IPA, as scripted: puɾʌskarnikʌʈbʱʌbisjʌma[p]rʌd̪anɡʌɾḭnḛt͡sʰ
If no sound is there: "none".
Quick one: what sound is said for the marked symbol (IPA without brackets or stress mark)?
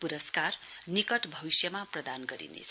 p